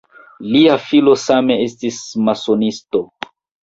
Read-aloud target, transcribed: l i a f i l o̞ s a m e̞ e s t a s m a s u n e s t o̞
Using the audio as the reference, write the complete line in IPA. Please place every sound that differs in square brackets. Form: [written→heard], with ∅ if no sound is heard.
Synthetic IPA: l i a f i l o̞ s a m e̞ e s t [a→i] s m a s [u→o] n [e→i] s t o̞